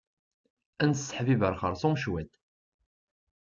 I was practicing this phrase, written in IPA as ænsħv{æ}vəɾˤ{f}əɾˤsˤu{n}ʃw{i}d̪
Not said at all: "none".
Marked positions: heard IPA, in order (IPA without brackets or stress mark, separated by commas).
i, χ, m, æ